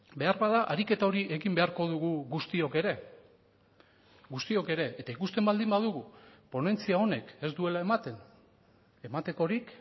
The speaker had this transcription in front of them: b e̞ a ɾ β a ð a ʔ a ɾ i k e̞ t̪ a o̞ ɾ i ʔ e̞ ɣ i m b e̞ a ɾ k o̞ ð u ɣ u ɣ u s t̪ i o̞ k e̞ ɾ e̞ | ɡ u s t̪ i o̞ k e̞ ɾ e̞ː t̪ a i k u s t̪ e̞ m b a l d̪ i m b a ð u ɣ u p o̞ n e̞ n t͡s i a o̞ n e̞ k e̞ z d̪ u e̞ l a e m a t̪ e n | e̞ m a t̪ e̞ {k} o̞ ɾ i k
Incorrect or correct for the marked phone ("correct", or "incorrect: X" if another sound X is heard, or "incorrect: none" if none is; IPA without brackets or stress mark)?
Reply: correct